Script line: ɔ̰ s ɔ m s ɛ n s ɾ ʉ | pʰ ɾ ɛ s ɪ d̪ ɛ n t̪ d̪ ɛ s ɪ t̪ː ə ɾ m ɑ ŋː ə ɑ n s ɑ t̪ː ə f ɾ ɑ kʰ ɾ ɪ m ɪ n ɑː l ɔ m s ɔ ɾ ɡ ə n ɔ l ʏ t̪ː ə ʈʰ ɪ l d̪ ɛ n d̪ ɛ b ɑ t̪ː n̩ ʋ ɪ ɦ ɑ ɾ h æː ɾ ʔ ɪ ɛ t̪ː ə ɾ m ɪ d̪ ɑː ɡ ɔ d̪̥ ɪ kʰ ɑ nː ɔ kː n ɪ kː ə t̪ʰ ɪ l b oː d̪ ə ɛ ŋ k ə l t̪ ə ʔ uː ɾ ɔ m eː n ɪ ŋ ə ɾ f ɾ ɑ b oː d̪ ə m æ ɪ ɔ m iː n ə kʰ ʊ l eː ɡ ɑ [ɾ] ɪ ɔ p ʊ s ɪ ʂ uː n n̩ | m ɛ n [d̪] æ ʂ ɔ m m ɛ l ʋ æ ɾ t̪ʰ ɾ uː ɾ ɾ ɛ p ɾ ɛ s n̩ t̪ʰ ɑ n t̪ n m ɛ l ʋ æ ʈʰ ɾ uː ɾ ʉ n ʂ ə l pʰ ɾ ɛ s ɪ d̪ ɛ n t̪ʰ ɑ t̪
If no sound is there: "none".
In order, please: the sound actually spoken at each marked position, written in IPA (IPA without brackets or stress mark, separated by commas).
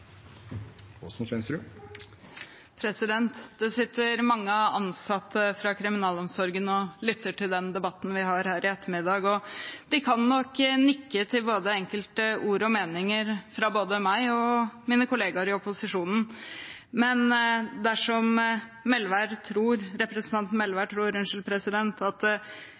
ɾ, d̪